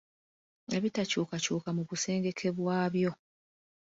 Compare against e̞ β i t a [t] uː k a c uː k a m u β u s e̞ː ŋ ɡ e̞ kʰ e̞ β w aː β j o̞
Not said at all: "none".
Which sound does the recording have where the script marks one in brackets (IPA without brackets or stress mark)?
c